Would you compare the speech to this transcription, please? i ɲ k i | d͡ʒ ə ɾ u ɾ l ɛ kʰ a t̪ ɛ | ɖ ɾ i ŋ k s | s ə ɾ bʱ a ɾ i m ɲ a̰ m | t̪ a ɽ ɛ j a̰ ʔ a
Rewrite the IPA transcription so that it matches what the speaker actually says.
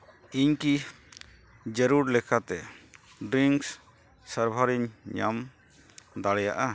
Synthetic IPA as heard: i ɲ k i | d͡ʒ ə ɾ u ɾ l ɛ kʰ a t̪ ɛ | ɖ ɾ i ŋ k s | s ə ɾ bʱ a ɾ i ɲ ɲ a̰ m | d̪ a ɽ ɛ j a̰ ʔ a